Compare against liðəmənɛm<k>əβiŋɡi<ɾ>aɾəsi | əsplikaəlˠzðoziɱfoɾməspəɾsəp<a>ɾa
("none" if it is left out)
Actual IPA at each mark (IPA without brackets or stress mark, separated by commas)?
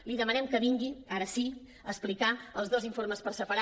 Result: k, none, ə